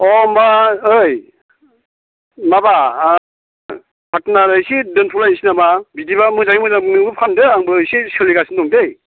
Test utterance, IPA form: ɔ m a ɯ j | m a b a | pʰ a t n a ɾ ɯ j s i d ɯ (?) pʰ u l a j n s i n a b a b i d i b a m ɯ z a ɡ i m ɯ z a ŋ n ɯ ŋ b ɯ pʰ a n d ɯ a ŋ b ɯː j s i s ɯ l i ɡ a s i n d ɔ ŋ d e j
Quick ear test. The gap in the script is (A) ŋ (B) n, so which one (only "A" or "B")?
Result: B